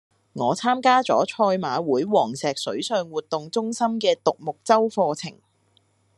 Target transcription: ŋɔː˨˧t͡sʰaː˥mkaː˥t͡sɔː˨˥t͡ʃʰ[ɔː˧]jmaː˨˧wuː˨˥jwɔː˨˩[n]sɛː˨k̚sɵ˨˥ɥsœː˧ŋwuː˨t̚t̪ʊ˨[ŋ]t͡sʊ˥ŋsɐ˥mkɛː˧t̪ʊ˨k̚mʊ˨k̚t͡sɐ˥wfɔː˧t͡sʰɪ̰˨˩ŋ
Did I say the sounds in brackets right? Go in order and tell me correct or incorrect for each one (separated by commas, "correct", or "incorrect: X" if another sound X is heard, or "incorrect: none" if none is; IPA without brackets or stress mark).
correct, incorrect: ŋ, correct